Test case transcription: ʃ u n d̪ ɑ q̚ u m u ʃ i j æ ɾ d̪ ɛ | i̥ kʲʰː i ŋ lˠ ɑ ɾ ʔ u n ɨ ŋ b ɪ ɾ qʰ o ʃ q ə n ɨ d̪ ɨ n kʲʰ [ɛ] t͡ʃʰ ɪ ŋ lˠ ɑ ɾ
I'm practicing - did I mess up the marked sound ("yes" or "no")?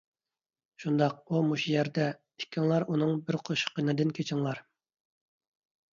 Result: yes